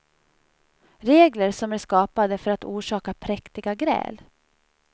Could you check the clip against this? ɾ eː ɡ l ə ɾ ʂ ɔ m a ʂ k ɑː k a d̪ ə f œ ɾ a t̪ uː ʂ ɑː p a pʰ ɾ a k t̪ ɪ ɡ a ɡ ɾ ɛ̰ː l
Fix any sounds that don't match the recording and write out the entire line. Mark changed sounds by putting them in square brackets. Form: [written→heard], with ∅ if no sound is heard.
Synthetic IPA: ɾ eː ɡ l ə ɾ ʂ ɔ m [a→æ] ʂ k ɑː [k→p] a d̪ ə f œ ɾ a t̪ uː ʂ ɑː [p→k] a pʰ ɾ [a→ɛ] k t̪ ɪ ɡ a ɡ ɾ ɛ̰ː l